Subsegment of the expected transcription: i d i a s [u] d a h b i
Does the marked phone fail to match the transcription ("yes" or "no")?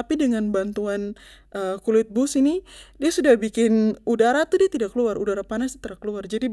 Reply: no